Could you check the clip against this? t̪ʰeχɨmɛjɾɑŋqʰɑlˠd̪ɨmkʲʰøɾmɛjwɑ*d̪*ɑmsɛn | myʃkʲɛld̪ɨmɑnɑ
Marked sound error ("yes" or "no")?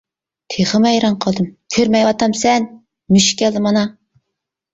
yes